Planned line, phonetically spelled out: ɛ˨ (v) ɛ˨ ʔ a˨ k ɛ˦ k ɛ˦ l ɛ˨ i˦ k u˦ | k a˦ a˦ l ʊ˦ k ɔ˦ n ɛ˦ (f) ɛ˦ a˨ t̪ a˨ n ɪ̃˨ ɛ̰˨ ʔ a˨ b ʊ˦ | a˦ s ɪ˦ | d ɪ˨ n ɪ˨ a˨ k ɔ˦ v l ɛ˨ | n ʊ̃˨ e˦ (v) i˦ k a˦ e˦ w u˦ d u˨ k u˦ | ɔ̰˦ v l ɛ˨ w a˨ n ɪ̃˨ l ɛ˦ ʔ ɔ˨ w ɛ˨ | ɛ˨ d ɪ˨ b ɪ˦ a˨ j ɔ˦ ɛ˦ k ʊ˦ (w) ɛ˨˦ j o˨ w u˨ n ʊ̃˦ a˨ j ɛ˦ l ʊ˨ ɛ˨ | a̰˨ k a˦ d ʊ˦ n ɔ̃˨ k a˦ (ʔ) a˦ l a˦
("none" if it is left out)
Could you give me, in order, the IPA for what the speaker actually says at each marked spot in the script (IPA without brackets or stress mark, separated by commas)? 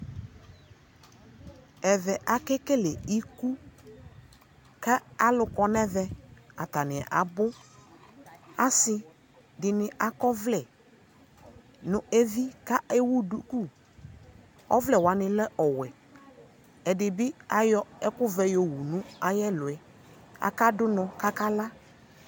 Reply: v, v, v, v, k